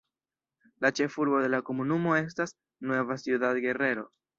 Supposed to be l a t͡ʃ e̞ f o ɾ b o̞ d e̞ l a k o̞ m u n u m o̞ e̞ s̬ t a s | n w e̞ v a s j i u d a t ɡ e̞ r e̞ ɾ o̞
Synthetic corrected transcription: l a t͡ʃ e̞ f u ɾ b o̞ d e̞ l a k o̞ m u n u m o̞ e̞ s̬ t a s | n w e̞ v a s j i u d a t ɡ e̞ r e̞ ɾ o̞